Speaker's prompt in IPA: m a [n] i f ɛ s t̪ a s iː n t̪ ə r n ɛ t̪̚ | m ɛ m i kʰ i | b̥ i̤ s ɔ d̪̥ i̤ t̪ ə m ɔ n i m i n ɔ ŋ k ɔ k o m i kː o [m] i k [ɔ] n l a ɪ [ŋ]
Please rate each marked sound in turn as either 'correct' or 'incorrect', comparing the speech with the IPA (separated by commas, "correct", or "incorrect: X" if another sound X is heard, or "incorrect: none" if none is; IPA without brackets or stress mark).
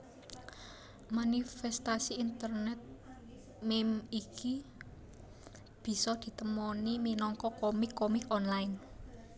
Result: correct, correct, correct, incorrect: n